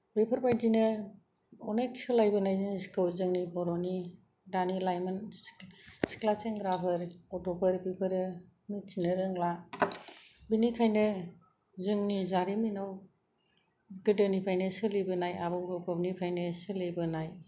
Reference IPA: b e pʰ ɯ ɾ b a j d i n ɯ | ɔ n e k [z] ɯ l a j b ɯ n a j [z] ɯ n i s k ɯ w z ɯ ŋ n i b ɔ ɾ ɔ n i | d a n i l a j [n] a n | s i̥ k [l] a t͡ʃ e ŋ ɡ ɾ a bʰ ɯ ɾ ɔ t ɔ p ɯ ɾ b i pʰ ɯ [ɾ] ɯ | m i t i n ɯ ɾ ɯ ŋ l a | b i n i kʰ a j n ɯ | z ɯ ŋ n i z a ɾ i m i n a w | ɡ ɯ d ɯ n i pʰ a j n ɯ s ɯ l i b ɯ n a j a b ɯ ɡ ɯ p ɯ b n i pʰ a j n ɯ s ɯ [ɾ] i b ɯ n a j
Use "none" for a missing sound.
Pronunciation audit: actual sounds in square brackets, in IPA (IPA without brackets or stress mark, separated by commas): s, z, m, l, ɾ, l